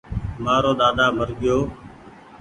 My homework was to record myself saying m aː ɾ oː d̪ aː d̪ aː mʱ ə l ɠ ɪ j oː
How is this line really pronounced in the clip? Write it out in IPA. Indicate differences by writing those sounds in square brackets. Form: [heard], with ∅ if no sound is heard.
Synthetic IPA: m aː ɾ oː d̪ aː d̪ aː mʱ ə [ɾ] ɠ ɪ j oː